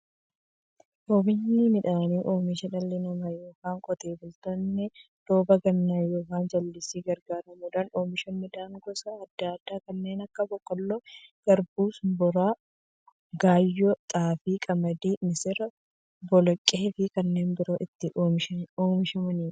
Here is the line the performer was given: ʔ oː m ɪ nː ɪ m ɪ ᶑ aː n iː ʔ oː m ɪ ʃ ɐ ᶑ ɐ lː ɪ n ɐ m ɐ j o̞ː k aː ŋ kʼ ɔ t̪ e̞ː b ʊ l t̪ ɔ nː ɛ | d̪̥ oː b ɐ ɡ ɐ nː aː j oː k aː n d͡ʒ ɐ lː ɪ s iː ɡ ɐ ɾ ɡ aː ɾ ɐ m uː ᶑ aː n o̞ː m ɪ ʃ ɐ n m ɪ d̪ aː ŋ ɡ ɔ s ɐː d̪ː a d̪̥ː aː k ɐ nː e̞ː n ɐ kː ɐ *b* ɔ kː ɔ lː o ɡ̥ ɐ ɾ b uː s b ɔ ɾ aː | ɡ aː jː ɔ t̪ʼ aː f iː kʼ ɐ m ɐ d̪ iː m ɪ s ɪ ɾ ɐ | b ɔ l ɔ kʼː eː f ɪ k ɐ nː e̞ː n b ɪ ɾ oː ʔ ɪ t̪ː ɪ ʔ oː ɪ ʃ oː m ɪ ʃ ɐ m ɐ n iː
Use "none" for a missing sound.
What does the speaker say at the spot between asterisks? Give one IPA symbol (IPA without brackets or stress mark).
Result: b